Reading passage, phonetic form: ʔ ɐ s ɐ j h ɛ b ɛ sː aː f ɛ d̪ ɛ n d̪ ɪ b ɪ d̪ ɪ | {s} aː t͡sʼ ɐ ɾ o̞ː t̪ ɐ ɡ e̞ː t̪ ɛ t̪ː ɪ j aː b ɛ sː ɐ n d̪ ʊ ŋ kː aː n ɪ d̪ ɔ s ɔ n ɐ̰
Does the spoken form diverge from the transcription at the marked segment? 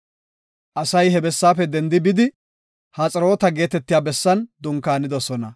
yes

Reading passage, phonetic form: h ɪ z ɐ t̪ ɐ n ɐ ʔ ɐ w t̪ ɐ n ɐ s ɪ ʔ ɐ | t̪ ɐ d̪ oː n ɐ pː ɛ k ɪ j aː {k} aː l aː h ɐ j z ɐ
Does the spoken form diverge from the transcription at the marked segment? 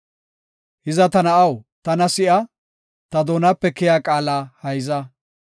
yes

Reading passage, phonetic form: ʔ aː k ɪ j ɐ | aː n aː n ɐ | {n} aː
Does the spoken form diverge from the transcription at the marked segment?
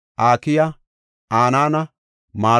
yes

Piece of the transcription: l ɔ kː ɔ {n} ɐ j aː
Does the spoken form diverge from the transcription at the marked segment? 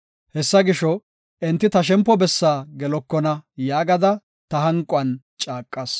no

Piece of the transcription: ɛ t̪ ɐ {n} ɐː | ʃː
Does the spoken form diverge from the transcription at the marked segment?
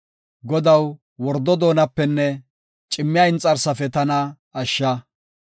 no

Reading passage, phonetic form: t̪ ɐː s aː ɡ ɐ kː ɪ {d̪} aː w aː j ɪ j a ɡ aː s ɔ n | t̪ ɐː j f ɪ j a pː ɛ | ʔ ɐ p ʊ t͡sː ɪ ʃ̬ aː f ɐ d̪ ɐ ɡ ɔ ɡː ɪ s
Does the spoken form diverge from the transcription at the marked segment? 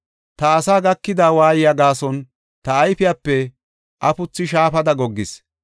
no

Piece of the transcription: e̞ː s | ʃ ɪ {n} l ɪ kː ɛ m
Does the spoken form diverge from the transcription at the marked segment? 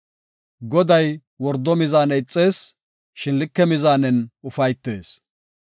no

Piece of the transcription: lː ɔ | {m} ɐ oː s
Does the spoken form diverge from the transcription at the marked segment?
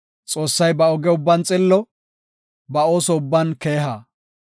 yes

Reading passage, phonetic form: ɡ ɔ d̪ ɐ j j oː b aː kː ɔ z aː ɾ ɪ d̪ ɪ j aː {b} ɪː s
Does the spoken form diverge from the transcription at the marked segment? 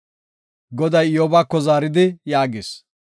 yes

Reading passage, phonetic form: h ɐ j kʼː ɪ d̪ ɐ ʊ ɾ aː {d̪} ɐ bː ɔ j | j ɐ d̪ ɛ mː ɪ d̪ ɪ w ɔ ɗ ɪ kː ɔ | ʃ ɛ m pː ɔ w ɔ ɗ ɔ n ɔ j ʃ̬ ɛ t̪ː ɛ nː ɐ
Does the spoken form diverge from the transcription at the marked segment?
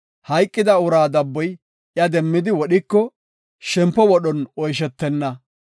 no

